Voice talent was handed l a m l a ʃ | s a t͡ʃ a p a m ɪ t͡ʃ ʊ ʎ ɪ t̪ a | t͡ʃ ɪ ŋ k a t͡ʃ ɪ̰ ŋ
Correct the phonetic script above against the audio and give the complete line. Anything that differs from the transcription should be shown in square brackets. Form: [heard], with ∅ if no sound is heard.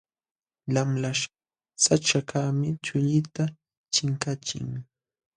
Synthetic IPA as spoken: l a m l a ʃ | s a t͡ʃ a [k] a m ɪ t͡ʃ ʊ ʎ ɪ t̪ a | t͡ʃ ɪ ŋ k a t͡ʃ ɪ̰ ŋ